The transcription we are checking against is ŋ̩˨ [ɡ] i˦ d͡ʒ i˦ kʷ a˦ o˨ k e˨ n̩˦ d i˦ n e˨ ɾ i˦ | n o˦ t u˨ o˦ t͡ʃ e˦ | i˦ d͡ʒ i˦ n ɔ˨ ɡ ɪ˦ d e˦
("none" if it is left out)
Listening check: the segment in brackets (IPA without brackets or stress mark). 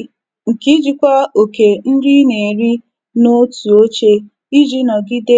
k